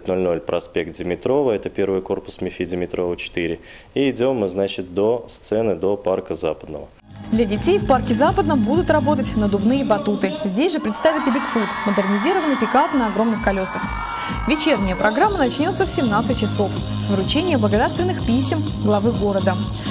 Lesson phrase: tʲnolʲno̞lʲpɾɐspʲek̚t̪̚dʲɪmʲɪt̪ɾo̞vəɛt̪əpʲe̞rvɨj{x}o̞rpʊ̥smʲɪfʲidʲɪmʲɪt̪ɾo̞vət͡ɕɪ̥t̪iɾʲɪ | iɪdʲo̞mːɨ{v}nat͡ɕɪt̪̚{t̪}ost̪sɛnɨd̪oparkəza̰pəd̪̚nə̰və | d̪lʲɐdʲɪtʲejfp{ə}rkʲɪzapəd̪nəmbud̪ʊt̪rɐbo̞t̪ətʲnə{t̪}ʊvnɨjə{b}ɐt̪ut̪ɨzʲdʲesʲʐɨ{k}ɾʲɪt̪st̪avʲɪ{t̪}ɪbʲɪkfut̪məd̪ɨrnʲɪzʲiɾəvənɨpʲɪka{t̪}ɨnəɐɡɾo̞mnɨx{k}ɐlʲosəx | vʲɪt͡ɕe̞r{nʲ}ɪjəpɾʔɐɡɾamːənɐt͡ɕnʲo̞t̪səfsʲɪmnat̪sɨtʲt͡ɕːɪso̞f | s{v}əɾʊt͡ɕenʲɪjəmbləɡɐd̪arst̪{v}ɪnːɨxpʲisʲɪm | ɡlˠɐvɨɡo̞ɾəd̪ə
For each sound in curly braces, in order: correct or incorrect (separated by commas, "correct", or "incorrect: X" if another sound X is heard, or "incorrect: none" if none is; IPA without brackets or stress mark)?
incorrect: k, incorrect: z, incorrect: d̪, incorrect: a, incorrect: d̪, correct, incorrect: p, correct, correct, correct, correct, correct, correct